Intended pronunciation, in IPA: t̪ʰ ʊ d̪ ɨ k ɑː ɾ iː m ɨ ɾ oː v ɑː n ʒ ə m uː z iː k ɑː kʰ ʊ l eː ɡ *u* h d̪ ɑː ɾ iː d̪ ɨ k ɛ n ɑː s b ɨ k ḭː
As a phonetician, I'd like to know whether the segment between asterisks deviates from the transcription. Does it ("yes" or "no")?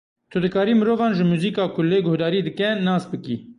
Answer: yes